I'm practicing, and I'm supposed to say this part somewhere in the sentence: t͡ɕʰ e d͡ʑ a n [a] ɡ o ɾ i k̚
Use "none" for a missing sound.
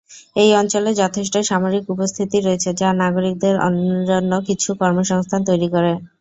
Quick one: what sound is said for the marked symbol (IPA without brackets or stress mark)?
a